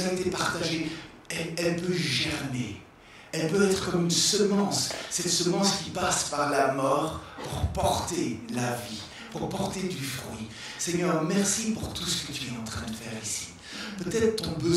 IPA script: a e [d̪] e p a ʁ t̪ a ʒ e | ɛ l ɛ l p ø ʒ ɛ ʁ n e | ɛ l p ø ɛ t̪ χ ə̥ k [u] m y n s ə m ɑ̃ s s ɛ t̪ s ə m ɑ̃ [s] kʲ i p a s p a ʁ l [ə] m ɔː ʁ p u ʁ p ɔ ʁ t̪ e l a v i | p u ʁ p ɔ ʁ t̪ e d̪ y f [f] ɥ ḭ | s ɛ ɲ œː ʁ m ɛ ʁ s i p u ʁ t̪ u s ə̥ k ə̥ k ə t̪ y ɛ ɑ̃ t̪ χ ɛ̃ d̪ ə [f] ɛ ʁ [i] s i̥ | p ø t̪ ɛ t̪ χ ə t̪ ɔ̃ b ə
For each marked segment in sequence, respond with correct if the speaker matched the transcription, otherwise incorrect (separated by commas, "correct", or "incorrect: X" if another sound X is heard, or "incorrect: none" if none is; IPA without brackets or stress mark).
incorrect: t̪, incorrect: ɔ, correct, incorrect: a, incorrect: χ, correct, correct